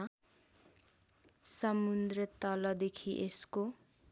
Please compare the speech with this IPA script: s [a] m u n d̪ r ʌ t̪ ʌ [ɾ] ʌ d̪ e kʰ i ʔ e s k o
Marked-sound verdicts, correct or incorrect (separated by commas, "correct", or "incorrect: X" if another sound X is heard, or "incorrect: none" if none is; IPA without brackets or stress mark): incorrect: ʌ, incorrect: l